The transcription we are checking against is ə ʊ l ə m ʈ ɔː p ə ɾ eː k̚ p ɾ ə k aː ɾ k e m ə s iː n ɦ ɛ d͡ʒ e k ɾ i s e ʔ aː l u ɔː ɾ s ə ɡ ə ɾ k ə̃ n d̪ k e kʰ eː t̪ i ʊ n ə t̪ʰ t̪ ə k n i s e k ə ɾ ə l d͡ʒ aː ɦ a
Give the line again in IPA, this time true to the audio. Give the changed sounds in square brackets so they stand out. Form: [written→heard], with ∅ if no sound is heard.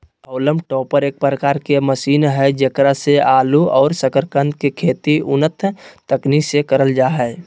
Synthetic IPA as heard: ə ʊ l ə m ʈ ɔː p ə ɾ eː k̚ p ɾ ə k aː ɾ k e m ə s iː n ɦ ɛ d͡ʒ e k ɾ [i→a] s e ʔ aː l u ɔː ɾ s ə [ɡ→k] ə ɾ k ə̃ n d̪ k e kʰ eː t̪ i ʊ n ə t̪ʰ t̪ ə k n i s e k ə ɾ ə l d͡ʒ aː ɦ [a→ɛ]